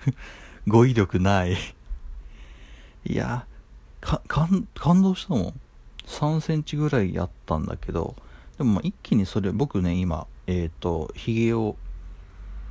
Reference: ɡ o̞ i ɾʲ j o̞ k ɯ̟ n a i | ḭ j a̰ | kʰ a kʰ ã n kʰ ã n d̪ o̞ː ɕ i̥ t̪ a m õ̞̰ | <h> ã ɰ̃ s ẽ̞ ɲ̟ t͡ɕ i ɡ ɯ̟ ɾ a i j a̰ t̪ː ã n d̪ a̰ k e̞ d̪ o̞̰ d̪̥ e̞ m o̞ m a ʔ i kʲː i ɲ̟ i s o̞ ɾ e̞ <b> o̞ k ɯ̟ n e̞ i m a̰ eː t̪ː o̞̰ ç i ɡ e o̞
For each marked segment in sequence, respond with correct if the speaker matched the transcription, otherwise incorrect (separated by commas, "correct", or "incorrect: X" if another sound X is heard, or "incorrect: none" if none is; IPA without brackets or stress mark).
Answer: incorrect: s, correct